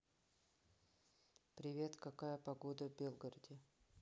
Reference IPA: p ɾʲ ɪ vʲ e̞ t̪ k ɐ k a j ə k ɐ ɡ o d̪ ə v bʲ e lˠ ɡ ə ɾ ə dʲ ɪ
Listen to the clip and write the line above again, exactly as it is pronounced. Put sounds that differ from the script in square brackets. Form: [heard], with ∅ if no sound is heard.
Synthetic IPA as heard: p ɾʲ ɪ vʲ e̞ t̪ k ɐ k a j ə [p] ɐ ɡ o d̪ ə v bʲ e lˠ ɡ ə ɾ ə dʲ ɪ